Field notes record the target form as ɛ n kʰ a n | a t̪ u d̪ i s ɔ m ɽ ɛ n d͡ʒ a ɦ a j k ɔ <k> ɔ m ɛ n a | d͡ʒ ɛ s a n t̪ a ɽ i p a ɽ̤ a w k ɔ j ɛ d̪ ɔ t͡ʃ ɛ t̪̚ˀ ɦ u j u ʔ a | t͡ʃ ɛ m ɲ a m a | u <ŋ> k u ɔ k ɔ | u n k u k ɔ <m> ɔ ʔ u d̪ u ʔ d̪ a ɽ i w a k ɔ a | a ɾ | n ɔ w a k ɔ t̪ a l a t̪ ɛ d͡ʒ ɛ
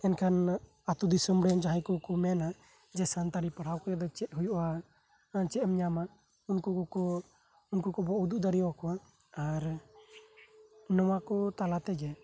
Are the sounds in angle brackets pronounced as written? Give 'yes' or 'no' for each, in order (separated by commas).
yes, no, no